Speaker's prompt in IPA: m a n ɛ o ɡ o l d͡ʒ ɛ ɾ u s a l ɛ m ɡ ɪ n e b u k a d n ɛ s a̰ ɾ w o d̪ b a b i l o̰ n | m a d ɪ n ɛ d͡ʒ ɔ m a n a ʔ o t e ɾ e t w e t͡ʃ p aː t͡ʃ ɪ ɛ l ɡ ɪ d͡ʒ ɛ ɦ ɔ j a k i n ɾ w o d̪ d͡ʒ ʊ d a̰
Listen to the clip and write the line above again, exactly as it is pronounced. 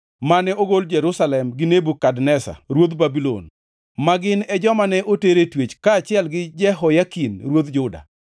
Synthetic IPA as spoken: m a n ɛ o ɡ o l d͡ʒ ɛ ɾ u s a l ɛ m ɡ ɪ n e b u k a d n ɛ s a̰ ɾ w o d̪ b a b i l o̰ n | m a ɡ ɪ n ɛ d͡ʒ ɔ m a n ɛ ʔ o t e ɾ e t w e t͡ʃ k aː t͡ʃ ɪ ɛ l ɡ ɪ d͡ʒ ɛ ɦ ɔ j a k i n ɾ w o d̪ d͡ʒ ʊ d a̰